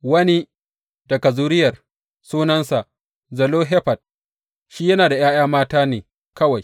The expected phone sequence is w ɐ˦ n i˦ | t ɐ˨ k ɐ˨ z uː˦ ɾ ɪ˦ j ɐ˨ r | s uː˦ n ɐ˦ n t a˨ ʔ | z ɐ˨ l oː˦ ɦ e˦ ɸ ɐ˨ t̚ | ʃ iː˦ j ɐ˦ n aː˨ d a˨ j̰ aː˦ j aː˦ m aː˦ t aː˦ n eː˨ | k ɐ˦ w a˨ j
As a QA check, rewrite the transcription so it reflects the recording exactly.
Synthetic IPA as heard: w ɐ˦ n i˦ | d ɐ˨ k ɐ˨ z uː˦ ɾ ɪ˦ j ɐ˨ r | s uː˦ n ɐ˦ n s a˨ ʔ | z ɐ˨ l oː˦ ɦ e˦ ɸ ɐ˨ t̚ | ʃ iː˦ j ɐ˦ n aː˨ d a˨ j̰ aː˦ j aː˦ m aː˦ t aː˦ n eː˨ | k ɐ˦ w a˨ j